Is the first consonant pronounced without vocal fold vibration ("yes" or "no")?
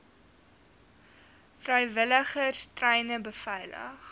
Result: yes